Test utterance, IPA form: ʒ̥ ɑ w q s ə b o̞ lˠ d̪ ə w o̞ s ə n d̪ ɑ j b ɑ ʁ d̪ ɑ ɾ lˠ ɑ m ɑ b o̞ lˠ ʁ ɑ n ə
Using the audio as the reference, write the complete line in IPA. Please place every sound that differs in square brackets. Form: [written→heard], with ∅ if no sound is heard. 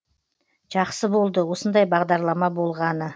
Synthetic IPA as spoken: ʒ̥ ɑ [w→∅] q s ə b o̞ lˠ d̪ ə w o̞ s ə n d̪ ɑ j b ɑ ʁ d̪ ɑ ɾ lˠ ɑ m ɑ b o̞ lˠ ʁ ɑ n ə

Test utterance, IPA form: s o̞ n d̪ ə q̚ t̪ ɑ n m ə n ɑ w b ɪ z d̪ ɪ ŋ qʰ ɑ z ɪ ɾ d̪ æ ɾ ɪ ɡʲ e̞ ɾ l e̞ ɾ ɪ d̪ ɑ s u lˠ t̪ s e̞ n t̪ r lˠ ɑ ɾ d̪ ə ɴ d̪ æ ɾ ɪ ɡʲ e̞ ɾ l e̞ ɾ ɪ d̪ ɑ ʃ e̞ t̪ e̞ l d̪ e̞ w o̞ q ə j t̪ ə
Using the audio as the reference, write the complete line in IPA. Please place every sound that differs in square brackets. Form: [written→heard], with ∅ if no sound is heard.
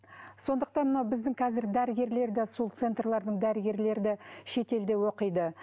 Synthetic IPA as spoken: s o̞ n d̪ ə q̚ t̪ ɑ n m ə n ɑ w b ɪ z d̪ ɪ ŋ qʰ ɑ z ɪ ɾ d̪ æ ɾ ɪ ɡʲ e̞ ɾ l e̞ ɾ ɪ d̪ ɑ s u lˠ t̪ s e̞ n t̪ r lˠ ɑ ɾ d̪ ə ɴ d̪ æ ɾ ɪ ɡʲ e̞ ɾ l e̞ ɾ ɪ d̪ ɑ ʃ e̞ t̪ e̞ l d̪ e̞ w o̞ q ə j [t̪→d̪] ə

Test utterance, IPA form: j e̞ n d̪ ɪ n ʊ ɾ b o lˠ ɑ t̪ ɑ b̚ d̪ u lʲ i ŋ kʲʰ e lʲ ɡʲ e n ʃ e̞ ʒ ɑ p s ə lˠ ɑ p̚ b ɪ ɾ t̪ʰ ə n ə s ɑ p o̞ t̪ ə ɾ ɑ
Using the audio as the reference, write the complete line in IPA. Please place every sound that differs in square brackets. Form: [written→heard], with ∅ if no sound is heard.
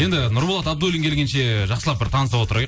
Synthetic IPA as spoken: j e̞ n d̪ ɪ n ʊ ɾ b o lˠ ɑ t̪ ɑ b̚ d̪ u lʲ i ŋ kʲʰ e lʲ ɡʲ e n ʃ e̞ ʒ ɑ [p→q] s ə lˠ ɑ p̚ b ɪ ɾ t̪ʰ [ə→ɑ] n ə s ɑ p o̞ t̪ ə ɾ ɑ

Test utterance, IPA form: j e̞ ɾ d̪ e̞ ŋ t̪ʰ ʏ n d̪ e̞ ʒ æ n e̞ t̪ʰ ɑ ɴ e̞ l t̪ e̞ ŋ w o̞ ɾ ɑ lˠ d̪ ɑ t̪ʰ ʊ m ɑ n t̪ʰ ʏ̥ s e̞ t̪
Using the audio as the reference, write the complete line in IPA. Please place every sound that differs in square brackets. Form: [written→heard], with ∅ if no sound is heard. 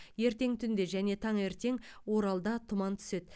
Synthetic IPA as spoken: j e̞ ɾ [d̪→t̪] e̞ ŋ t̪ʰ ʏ n d̪ e̞ ʒ æ n e̞ t̪ʰ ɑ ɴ e̞ [l→ɾ] t̪ e̞ ŋ w o̞ ɾ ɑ lˠ d̪ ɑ t̪ʰ ʊ m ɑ n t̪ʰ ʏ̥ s e̞ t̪

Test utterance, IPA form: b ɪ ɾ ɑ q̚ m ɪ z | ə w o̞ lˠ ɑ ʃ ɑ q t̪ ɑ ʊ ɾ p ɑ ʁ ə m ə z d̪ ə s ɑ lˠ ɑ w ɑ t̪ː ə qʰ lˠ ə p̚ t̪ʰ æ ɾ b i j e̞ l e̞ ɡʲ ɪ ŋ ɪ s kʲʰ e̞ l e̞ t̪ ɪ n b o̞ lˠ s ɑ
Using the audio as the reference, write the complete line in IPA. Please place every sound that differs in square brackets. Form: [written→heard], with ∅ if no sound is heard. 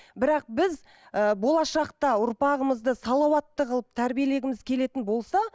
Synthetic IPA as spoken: b ɪ ɾ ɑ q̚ [m→b] ɪ z | ə [w→b] o̞ lˠ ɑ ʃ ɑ q t̪ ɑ ʊ ɾ p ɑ ʁ ə m ə z d̪ ə s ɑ lˠ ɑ w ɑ t̪ː ə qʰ lˠ ə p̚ t̪ʰ æ ɾ b i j e̞ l e̞ ɡʲ ɪ [ŋ→m] ɪ [s→z] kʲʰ e̞ l e̞ t̪ ɪ n b o̞ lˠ s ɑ

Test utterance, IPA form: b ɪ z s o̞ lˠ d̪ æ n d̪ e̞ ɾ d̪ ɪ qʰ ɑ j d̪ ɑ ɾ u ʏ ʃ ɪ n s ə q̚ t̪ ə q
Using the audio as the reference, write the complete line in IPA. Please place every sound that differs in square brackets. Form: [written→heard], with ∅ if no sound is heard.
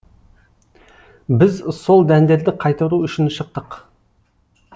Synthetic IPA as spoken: b ɪ z s o̞ lˠ d̪ æ n d̪ e̞ ɾ d̪ ɪ qʰ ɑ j [d̪→t̪] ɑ ɾ u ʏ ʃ ɪ n [s→ʃ] ə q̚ t̪ ə q

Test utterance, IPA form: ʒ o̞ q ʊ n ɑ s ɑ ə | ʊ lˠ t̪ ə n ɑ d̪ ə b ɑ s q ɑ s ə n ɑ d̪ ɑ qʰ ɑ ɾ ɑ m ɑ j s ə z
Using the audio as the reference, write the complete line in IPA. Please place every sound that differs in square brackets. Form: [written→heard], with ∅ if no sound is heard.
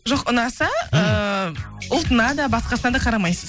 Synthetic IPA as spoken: ʒ o̞ q ʊ n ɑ s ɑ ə | ʊ lˠ t̪ ə n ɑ d̪ [ə→ɑ] b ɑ s q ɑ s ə n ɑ d̪ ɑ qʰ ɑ ɾ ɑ m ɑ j s ə z

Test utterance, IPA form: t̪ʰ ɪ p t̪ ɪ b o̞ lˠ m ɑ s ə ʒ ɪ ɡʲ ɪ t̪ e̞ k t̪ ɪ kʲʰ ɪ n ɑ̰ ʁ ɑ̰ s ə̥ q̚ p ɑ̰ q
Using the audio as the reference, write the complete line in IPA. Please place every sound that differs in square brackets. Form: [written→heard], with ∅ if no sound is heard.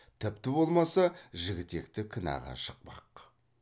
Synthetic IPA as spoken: t̪ʰ ɪ p t̪ ɪ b o̞ lˠ m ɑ s [ə→ɑ] ʒ ɪ ɡʲ ɪ t̪ e̞ k t̪ ɪ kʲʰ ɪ n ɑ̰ ʁ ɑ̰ [s→ʃ] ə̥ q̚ p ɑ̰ q

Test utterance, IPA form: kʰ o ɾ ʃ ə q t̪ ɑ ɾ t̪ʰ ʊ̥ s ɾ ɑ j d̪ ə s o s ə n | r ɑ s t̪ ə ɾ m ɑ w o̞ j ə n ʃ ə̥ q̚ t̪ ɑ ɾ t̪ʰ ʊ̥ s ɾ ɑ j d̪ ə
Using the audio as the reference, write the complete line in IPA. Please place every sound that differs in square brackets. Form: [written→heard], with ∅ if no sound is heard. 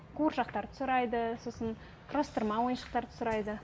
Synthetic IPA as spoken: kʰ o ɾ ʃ [ə→ɑ] q t̪ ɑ ɾ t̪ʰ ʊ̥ s ɾ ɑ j d̪ ə s o s ə n | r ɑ s t̪ ə ɾ m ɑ w o̞ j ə n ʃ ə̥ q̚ t̪ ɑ ɾ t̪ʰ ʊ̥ s ɾ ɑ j d̪ ə

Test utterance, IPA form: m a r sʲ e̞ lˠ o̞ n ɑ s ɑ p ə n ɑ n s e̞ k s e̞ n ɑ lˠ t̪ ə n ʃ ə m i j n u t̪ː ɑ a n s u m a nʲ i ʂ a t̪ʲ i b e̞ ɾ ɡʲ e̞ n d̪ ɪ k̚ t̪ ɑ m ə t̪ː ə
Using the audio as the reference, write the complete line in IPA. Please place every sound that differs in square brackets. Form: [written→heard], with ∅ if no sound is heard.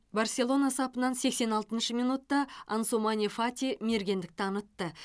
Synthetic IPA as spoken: [m→b] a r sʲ e̞ lˠ o̞ n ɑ s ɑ p ə n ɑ n s e̞ k s e̞ n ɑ lˠ t̪ ə n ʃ ə m i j n u t̪ː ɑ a n s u m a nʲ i [ʂ→f] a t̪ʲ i [b→m] e̞ ɾ ɡʲ e̞ n d̪ ɪ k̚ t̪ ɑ [m→n] ə t̪ː ə

